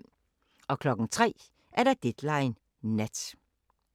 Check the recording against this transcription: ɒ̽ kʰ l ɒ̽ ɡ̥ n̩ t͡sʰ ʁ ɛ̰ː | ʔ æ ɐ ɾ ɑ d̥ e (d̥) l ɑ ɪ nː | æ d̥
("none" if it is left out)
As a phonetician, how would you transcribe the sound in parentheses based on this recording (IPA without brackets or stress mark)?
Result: d̥